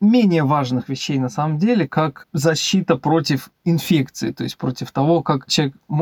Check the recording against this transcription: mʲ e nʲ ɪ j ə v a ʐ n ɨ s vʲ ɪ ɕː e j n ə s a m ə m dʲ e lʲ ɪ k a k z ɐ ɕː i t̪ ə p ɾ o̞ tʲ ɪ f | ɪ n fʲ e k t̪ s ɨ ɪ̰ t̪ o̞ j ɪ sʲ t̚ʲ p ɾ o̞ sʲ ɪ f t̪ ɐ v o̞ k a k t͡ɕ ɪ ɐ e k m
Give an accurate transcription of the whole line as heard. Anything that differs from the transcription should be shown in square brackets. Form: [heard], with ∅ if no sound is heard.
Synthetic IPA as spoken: mʲ e nʲ ɪ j ə v a ʐ n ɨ [x] vʲ ɪ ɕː e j n [ɐ] s a m ə m dʲ e lʲ ɪ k a k z ɐ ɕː i t̪ ə p ɾ o̞ tʲ ɪ f | ɪ n fʲ e k t̪ s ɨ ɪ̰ t̪ o̞ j ɪ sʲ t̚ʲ p ɾ o̞ [tʲ] ɪ f t̪ ɐ v o̞ k a k t͡ɕ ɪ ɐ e k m